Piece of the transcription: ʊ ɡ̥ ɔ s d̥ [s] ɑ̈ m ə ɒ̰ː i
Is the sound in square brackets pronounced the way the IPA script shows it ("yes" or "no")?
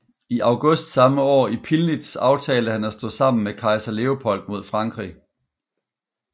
yes